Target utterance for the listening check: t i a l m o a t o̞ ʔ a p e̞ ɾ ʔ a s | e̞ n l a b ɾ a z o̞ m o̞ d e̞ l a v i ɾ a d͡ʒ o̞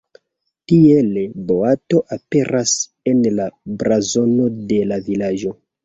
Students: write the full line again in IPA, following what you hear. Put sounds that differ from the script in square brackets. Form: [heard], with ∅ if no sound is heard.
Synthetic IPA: t i [e] l [b] o a t o̞ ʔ a p e̞ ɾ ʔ a s | e̞ n l a b ɾ a z o̞ [n] o̞ d e̞ l a v i [l] a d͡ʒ o̞

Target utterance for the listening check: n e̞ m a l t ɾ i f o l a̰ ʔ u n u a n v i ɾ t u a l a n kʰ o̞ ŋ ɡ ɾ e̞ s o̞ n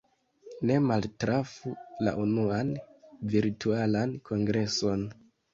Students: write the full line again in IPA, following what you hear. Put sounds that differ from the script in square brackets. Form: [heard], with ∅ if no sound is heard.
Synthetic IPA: n e̞ m a l t ɾ [a] f [u] l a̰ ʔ u n u a n v i ɾ t u a l a n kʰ o̞ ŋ ɡ ɾ e̞ s o̞ n

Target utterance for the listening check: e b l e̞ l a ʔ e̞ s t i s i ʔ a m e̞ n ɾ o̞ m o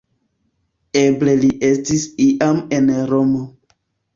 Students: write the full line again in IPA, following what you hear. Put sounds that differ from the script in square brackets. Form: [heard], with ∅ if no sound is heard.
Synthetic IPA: e b l e̞ l [i] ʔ e̞ s t i s i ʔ a m e̞ n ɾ o̞ m o

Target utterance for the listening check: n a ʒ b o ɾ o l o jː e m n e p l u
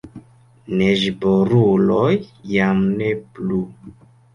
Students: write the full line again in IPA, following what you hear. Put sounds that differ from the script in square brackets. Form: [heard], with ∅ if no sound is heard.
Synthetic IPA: n [e] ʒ b o ɾ [u] l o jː [a] m n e p l u

